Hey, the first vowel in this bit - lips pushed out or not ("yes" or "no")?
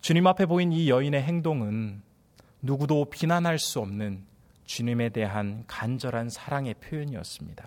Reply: yes